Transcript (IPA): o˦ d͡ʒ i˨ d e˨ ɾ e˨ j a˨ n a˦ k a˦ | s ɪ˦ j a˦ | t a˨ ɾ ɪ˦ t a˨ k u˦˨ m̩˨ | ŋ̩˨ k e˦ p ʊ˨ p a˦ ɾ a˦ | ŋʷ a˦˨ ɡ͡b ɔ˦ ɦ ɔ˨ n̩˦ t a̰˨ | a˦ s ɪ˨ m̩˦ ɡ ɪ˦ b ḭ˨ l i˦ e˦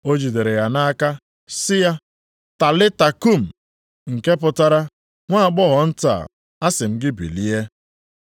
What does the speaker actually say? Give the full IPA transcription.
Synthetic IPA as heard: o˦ d͡ʒ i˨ d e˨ ɾ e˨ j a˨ n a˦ k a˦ | s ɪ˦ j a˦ | t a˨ l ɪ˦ t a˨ k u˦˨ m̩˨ | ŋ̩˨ k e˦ p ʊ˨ t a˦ ɾ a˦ | ŋʷ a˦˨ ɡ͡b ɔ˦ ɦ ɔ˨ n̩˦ t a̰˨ | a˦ s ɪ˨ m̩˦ ɡ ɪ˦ b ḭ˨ l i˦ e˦

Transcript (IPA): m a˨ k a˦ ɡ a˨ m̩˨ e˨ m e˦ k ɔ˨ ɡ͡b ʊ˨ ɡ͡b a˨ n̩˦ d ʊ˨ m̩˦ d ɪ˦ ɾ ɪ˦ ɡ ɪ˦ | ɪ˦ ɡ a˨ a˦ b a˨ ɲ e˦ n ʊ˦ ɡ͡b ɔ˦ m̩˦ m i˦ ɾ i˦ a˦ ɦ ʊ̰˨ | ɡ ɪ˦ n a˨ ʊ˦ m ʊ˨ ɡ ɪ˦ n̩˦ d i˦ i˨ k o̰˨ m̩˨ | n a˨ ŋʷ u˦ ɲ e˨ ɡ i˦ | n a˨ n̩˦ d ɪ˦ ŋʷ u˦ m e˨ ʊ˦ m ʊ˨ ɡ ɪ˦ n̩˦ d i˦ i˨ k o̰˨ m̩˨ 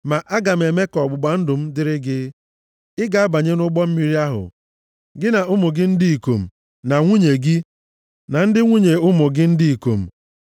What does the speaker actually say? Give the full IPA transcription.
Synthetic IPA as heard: m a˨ ʔ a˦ ɡ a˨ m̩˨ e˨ m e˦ k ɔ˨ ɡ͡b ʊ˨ ɡ͡b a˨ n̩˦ d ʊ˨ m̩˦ d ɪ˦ ɾ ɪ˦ ɡ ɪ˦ | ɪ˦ ɡ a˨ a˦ b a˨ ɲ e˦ n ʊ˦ ɡ͡b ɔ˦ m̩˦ m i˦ ɾ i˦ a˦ ɦ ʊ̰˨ | ɡ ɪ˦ n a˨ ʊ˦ m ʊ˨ ɡ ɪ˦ n̩˦ d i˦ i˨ k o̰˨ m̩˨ | n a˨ ŋʷ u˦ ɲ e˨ ɡ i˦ | n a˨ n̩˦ d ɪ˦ ŋʷ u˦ ɲ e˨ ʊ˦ m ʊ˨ ɡ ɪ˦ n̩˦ d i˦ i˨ k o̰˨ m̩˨

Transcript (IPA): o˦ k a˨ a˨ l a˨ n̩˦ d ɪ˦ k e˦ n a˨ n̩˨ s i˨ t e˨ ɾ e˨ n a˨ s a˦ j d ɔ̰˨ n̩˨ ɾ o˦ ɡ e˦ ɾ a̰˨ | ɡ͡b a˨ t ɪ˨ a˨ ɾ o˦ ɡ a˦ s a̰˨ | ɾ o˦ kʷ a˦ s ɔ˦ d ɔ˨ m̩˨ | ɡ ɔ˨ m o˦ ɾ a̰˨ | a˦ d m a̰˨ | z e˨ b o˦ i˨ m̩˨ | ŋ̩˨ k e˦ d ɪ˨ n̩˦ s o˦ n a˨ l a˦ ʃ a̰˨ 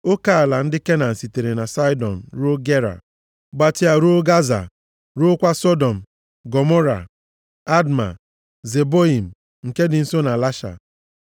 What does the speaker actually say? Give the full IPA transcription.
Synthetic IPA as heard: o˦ k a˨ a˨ l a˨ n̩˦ d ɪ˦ k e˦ n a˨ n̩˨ s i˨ t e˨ ɾ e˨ n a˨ s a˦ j d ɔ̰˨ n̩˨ ɾ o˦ ɡ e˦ ɾ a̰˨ | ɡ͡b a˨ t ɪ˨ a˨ ɾ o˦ ɡ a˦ z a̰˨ | ɾ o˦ kʷ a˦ s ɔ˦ d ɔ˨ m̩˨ | ɡ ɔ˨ m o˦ ɾ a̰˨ | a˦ d m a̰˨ | z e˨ b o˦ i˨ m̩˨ | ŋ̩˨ k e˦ d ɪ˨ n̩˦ s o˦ n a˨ l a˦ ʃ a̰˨

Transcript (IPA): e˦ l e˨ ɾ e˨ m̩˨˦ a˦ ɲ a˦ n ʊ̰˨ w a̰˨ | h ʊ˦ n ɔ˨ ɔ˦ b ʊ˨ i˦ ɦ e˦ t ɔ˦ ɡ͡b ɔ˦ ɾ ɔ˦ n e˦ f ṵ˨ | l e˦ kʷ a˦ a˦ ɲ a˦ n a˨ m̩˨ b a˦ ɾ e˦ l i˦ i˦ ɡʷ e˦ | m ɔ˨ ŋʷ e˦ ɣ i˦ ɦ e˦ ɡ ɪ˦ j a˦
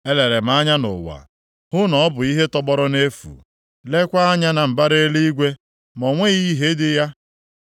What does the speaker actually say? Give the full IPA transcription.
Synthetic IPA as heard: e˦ l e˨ ɾ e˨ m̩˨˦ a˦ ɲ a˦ n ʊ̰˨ w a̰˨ | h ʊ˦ n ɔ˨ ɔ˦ b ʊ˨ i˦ ɦ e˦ t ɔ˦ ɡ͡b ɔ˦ ɾ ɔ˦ n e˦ f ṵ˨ | l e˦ kʷ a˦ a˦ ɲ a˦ n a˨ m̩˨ b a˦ ɾ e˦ l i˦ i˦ ɡʷ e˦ | m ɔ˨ ŋʷ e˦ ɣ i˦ ɦ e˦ d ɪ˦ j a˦

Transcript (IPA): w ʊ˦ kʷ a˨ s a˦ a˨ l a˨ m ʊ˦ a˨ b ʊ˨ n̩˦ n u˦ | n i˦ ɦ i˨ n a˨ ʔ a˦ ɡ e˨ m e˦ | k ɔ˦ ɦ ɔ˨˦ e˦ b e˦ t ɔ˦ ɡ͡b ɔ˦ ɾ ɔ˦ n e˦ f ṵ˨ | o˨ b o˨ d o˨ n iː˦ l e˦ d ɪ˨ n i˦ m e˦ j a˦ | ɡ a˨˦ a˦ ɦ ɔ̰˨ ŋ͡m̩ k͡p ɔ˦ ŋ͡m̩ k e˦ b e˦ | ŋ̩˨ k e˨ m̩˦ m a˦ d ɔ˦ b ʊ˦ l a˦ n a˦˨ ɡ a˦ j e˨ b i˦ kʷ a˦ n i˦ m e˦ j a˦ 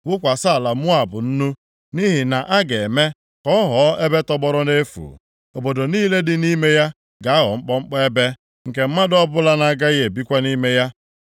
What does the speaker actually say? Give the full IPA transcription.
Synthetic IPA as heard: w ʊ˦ kʷ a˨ s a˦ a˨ l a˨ m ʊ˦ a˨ b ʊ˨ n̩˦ n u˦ | n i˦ ɦ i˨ n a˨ ʔ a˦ ɡ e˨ m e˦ | k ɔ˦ ɦ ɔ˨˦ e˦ b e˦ t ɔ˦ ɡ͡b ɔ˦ ɾ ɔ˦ n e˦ f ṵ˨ | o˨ b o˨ d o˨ n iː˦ l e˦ d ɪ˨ n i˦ m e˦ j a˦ | ɡ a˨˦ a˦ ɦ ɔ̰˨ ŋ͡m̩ k͡p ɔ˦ ŋ͡m̩ k͡p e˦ b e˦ | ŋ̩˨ k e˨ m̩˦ m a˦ d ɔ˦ b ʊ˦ l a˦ n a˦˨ ɡ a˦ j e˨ b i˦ kʷ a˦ n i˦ m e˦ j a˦

